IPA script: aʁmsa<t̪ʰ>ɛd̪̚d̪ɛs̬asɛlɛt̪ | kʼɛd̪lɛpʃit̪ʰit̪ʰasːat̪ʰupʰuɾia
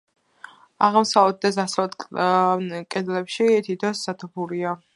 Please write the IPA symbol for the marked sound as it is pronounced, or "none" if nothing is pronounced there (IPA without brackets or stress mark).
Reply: none